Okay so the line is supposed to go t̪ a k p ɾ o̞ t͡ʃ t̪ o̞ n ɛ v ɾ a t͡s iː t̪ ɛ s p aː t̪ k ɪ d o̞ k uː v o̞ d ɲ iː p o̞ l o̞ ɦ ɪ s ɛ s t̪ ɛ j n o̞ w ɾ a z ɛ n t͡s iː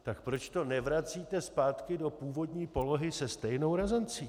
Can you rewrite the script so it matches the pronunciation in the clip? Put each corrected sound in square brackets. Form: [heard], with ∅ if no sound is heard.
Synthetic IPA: t̪ a k p ɾ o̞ t͡ʃ t̪ o̞ n ɛ v ɾ a t͡s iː t̪ ɛ s p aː t̪ k ɪ d o̞ [p] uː v o̞ d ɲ iː p o̞ l o̞ ɦ ɪ s ɛ s t̪ ɛ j n o̞ w ɾ a z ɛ n t͡s iː

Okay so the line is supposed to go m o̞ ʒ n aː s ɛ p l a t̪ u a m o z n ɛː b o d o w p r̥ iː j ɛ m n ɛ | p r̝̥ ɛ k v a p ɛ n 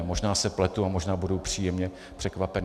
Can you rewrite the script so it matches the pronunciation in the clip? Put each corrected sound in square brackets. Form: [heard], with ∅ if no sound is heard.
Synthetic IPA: m o̞ ʒ n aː s ɛ p l [ɛ] t̪ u a m o [ʒ] n [aː] b [u] d o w p r̥ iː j ɛ m [ɲ] ɛ | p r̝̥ ɛ k v a p ɛ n

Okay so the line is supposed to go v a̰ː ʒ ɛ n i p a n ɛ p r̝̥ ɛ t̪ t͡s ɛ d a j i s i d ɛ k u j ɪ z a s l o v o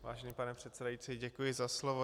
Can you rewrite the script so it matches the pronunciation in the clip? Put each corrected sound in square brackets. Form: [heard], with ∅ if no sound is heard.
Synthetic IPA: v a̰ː ʒ ɛ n i p a n ɛ p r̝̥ ɛ t̪ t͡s ɛ d a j i [t͡s] i [ɟ] ɛ k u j ɪ z a s l o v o

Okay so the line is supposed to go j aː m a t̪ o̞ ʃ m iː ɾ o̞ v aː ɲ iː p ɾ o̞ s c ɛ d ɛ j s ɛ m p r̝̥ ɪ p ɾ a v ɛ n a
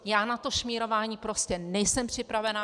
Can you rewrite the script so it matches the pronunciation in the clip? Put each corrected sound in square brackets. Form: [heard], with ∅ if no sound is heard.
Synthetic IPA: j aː [n] a t̪ o̞ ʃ m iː ɾ o̞ v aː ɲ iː p ɾ o̞ s c ɛ [n] ɛ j s ɛ m p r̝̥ ɪ p ɾ a v ɛ n a

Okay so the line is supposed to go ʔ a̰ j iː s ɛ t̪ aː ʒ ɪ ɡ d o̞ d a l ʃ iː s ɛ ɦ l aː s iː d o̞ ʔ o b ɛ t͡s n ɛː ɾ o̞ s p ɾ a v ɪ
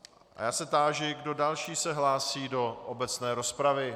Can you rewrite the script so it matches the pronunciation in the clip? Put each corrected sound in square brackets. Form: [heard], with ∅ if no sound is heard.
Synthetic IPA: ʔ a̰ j [aː] s ɛ t̪ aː ʒ ɪ ɡ d o̞ d a l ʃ iː s ɛ ɦ l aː s iː d o̞ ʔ o b ɛ t͡s n ɛː ɾ o̞ s p ɾ a v ɪ

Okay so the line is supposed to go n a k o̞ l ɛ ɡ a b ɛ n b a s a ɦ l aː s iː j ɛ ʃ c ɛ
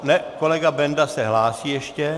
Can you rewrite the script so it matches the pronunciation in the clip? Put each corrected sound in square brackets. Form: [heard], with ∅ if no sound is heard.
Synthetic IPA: n [ɛ] k o̞ l ɛ ɡ a b ɛ n [d] a s [ɛ] ɦ l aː s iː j ɛ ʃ c ɛ

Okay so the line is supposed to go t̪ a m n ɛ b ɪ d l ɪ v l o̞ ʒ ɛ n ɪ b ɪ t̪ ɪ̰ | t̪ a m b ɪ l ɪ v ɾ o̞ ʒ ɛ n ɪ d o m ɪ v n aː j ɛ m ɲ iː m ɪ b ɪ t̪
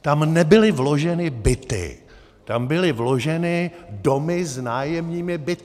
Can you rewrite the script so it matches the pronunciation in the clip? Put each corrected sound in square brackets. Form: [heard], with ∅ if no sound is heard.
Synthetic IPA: t̪ a m n ɛ b ɪ [∅] l ɪ v l o̞ ʒ ɛ n ɪ b ɪ t̪ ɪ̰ | t̪ a m b ɪ l ɪ v [l] o̞ ʒ ɛ n ɪ d o m ɪ [z] n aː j ɛ m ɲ iː m ɪ b ɪ t̪

